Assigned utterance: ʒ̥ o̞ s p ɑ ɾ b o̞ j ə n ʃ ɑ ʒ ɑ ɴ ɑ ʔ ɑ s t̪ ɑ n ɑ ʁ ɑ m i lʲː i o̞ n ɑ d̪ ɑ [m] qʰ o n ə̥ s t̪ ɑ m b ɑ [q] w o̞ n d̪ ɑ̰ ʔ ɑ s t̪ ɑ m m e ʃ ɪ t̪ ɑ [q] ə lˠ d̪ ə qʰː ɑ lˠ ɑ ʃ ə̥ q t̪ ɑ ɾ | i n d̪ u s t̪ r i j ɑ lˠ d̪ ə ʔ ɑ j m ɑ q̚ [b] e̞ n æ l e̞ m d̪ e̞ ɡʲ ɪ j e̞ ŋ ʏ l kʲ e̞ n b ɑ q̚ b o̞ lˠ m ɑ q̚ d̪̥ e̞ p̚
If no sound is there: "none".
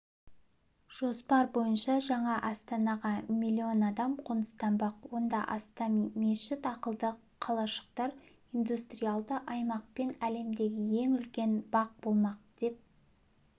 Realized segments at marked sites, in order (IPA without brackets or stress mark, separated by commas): m, q, q, p